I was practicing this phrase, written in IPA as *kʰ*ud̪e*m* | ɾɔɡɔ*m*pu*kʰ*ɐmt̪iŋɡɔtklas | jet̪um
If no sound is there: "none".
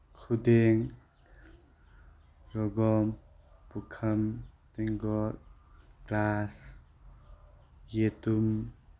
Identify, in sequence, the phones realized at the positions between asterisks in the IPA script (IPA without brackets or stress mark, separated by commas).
kʰ, ŋ, m, kʰ